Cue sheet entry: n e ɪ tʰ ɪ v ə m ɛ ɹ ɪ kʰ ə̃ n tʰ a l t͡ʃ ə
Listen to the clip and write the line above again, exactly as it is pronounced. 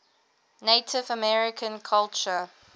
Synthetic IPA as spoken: n e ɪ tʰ ɪ v ə m ɛ ɹ ɪ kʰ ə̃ n kʰ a l t͡ʃ ə